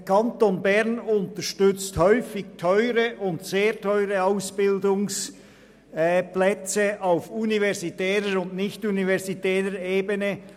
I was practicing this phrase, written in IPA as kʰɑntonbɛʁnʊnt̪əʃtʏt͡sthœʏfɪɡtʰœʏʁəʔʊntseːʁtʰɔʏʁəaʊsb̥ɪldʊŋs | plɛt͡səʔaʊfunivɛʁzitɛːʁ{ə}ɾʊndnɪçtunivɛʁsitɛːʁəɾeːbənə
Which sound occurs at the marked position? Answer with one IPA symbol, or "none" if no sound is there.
ə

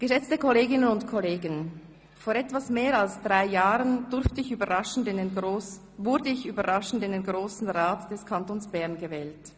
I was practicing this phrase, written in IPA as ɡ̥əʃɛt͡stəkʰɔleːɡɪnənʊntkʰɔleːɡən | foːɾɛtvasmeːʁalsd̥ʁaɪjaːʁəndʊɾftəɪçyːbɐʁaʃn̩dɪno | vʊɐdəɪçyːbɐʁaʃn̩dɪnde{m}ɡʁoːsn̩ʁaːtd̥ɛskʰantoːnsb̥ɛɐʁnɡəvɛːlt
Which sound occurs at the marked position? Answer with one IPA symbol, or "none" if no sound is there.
n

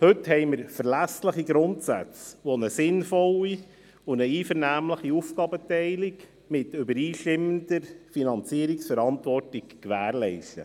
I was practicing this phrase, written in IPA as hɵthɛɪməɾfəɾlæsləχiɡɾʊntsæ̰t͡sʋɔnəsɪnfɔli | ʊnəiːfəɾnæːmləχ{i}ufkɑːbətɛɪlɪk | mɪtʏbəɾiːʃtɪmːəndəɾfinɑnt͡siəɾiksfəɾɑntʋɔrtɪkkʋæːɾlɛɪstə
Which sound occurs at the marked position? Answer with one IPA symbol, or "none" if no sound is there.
i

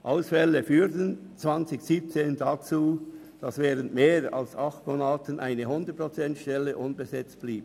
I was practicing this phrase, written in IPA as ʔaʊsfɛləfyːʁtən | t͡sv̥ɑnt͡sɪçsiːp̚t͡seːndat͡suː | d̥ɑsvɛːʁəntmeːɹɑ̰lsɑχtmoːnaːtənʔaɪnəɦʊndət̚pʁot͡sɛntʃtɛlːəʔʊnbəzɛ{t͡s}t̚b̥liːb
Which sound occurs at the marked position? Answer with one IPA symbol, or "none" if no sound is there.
t͡s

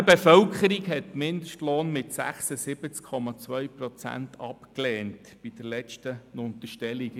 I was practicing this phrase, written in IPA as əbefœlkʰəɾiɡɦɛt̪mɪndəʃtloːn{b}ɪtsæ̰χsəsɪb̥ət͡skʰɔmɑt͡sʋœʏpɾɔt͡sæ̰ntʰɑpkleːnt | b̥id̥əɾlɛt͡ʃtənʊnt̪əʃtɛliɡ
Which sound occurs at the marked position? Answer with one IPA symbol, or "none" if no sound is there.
m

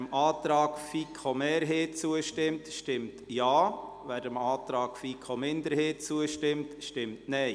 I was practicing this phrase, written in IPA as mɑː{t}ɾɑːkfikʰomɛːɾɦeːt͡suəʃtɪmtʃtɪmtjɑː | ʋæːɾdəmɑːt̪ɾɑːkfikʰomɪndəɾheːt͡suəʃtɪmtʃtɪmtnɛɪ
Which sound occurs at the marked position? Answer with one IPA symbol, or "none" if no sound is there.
t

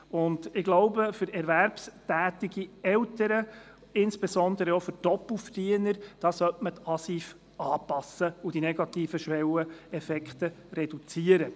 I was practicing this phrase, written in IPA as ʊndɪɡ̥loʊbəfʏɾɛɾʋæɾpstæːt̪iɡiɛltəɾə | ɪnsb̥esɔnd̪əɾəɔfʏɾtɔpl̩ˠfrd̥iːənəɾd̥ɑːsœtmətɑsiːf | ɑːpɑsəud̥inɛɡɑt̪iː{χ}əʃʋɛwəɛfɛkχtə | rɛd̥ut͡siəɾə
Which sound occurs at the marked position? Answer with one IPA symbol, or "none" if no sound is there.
f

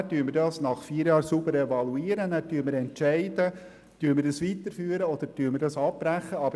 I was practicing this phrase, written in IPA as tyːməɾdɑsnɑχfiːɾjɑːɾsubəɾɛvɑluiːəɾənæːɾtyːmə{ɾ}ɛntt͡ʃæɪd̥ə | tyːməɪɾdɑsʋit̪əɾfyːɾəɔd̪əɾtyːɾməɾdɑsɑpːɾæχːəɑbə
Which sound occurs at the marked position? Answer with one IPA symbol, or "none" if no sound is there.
ɾ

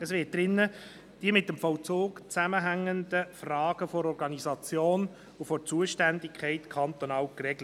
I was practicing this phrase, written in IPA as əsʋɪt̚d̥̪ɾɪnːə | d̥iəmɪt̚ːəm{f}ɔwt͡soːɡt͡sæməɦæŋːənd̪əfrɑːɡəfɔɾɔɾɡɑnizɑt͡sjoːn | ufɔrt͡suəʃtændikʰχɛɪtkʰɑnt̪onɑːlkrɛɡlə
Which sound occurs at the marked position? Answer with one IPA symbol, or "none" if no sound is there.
f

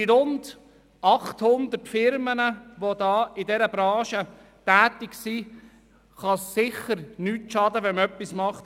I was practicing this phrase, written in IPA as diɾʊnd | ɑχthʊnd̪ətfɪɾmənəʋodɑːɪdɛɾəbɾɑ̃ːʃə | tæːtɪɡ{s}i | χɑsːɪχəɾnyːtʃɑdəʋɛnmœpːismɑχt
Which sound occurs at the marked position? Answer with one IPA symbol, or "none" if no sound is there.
s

